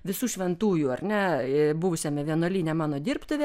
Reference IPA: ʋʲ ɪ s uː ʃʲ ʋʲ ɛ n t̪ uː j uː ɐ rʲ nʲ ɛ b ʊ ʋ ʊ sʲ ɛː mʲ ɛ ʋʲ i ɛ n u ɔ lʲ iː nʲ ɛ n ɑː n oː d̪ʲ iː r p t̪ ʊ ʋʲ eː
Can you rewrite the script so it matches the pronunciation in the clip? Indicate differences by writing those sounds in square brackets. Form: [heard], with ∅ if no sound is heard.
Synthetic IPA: ʋʲ ɪ s uː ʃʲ ʋʲ ɛ n t̪ uː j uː ɐ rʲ nʲ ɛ b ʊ ʋ ʊ sʲ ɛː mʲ ɛ ʋʲ i ɛ n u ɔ lʲ iː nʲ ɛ [m] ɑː n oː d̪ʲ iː r p t̪ ʊ ʋʲ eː